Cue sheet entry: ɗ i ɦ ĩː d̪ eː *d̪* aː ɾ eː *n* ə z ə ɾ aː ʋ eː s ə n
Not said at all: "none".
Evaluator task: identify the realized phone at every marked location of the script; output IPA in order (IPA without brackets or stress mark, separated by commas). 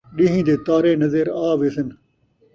t̪, n